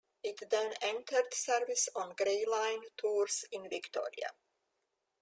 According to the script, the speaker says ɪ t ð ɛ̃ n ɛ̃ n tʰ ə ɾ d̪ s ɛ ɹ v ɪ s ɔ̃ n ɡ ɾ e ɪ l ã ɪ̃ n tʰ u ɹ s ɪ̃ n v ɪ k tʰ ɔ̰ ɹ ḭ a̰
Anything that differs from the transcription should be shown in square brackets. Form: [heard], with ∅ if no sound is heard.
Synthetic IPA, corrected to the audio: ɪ t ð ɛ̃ n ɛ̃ n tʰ ə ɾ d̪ s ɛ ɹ v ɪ s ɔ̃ n ɡ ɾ e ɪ l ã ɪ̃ n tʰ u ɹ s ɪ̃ n v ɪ k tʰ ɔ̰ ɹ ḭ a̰